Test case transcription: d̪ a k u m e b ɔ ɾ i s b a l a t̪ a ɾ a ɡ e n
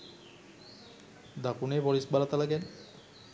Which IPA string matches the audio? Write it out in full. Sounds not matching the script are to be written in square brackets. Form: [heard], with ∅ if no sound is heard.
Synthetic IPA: d̪ a k u [n] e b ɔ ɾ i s b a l a t̪ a [l] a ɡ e n

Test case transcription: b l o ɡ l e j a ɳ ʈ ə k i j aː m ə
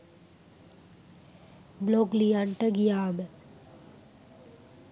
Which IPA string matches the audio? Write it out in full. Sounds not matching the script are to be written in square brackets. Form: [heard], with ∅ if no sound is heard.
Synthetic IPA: b l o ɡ l [i] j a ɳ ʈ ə [ɡ] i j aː m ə

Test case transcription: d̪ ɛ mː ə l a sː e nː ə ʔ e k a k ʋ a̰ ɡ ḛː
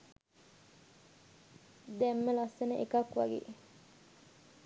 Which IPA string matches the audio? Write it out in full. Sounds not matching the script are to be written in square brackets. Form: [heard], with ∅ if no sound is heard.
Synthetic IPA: d̪ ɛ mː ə l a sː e [n] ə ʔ e k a k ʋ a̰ ɡ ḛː

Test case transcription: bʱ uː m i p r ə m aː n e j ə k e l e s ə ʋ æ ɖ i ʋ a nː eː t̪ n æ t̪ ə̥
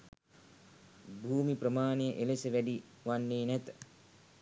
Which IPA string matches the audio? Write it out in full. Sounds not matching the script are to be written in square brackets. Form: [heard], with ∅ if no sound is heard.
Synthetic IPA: bʱ uː m i p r ə m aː n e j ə [ʔ] e l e s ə ʋ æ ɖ i ʋ a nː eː [∅] n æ t̪ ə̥

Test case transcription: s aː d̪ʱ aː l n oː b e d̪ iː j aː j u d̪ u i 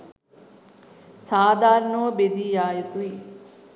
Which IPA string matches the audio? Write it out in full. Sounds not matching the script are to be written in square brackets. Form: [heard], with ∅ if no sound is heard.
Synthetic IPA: s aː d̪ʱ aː [ɾ] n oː b e d̪ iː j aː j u [t̪] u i

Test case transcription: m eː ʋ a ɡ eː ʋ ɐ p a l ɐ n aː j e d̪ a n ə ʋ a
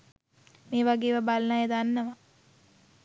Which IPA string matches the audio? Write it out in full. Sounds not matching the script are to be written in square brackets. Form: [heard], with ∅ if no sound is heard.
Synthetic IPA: m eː ʋ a ɡ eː ʋ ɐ [b] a l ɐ n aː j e d̪ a [nː] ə ʋ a

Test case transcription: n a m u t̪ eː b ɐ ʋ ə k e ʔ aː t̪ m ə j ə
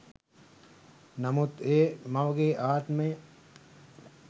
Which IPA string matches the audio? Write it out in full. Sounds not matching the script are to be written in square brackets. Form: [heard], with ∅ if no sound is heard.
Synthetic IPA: n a m u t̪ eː [m] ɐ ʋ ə [ɡ] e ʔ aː t̪ m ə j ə

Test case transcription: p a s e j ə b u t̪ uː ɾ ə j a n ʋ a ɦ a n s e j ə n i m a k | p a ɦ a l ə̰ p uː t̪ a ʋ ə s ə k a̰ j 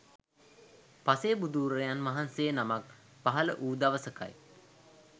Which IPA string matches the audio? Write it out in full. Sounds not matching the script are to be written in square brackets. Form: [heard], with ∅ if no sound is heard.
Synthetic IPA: p a s e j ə b u [d̪] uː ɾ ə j a n ʋ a ɦ a n s e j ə n [a] m a k | p a ɦ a l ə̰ [ʔ] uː [d̪] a ʋ ə s ə k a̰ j

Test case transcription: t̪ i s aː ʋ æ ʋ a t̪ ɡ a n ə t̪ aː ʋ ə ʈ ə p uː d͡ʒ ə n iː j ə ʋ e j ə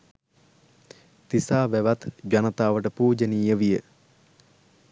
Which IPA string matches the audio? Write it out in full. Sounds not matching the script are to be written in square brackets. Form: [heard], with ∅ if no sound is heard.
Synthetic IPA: t̪ i s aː ʋ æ ʋ a t̪ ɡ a n ə t̪ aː ʋ ə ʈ ə p uː d͡ʒ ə n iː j ə ʋ [i] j ə

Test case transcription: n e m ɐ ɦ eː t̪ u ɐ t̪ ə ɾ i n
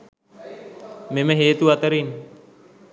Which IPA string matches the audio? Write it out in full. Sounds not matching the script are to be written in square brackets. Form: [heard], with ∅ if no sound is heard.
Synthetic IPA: [m] e m [ə] ɦ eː t̪ u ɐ t̪ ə ɾ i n

